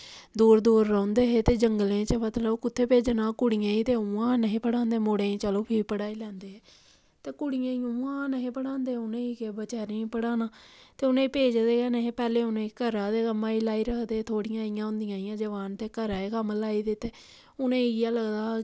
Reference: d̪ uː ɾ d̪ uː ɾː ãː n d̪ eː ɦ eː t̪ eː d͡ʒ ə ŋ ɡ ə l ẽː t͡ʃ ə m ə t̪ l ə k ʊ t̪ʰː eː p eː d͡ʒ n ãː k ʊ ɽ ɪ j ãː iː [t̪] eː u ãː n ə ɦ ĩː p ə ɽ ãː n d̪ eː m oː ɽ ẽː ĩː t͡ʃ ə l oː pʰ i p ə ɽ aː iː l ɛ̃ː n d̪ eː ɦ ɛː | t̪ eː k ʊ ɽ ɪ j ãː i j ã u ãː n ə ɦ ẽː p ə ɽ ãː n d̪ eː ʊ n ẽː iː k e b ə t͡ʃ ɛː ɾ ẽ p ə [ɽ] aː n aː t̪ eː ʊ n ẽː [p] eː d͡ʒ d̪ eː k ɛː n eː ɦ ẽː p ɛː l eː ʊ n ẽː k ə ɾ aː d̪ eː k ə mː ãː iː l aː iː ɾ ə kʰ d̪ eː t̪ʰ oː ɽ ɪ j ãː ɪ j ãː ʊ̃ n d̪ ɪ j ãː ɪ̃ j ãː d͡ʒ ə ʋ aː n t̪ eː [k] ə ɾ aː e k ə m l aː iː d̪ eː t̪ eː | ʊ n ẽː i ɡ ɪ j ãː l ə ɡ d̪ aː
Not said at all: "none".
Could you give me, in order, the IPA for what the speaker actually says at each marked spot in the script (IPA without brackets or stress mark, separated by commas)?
t̪, ɽ, p, k